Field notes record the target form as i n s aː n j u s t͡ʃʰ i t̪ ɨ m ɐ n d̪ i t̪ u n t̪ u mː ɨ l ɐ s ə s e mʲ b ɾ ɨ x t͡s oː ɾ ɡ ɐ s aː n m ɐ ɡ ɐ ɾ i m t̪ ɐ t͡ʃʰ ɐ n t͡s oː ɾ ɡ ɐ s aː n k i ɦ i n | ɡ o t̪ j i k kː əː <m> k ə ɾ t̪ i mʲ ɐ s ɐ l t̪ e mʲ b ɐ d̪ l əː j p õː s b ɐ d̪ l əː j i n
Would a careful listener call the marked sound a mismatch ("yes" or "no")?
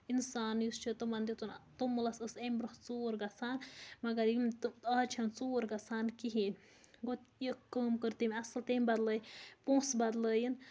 no